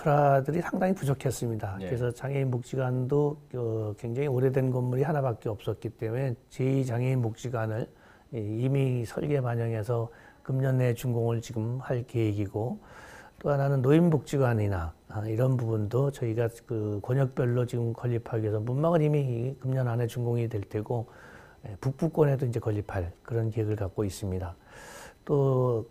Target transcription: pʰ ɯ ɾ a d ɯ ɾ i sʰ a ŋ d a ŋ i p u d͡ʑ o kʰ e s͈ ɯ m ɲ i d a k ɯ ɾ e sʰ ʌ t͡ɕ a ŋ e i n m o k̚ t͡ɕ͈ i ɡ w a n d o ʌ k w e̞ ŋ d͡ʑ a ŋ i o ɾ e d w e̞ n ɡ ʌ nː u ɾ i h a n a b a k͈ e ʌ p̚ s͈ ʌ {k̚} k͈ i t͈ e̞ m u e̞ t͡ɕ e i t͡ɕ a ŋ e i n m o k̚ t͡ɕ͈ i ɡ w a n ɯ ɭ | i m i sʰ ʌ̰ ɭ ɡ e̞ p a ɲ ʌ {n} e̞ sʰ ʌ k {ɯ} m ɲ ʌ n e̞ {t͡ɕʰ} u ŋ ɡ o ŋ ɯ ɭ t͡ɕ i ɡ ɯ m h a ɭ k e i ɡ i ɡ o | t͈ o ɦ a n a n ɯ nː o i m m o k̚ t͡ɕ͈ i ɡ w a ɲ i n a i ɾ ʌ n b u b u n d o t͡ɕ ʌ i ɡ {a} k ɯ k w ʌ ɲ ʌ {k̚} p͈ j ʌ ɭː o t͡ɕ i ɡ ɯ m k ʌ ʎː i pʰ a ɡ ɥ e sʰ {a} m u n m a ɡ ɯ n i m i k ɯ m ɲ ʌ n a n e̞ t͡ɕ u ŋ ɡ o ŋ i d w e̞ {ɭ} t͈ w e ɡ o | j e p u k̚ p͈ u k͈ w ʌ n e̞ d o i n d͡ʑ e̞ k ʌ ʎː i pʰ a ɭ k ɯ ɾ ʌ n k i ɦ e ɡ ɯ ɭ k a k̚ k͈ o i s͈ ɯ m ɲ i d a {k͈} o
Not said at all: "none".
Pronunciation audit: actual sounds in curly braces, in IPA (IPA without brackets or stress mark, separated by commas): t̚, ŋ, ɯ, t͡ɕ, a, k̚, ʌ, ɭ, t͈